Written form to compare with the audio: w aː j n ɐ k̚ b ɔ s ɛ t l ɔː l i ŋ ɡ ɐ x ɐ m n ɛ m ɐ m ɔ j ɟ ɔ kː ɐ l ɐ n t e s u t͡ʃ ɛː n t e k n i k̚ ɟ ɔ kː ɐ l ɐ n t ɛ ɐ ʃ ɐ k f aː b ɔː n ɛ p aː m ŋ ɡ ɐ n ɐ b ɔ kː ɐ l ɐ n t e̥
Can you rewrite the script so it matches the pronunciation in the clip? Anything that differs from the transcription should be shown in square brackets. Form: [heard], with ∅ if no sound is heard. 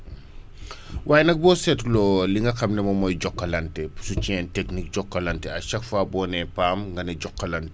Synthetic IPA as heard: w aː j n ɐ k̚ b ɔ s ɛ t l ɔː l i ŋ ɡ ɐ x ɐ m n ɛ m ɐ m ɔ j ɟ ɔ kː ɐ l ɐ n t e s u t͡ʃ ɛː n t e k n i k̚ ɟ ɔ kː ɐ l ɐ n t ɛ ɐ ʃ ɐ k f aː b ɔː n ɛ p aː m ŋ ɡ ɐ n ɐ [ɟ] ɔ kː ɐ l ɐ n t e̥